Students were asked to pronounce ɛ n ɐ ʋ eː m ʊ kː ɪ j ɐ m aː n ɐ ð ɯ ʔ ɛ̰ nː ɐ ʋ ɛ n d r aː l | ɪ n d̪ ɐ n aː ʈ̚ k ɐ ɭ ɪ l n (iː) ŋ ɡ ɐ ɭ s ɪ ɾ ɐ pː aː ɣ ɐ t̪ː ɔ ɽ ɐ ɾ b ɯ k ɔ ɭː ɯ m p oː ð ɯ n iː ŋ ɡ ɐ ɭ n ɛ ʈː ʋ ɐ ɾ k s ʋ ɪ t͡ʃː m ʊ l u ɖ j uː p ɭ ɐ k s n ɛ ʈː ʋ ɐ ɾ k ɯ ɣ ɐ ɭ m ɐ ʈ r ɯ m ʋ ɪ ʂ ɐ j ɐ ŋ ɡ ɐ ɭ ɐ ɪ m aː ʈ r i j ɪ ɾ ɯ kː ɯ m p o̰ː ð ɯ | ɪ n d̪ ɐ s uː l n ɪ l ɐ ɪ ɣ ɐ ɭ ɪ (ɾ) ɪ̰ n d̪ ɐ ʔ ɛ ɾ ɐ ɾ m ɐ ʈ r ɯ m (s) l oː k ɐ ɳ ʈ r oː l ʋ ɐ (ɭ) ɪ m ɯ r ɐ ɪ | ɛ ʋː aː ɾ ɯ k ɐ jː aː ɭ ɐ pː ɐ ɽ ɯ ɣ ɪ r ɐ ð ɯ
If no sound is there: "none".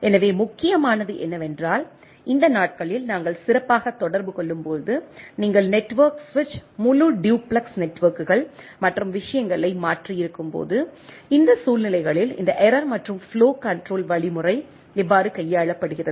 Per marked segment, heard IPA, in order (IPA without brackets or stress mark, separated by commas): aː, l, f, ɭ